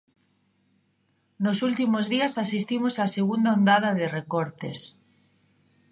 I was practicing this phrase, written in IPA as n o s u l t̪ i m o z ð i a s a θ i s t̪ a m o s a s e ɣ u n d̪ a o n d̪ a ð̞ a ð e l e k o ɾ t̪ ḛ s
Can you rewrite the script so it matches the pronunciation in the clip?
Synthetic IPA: n o s u l t̪ i m o z ð i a s a s i s t̪ i m o s a s e ɣ u n d̪ a o n d̪ a ð̞ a ð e r e k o ɾ t̪ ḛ s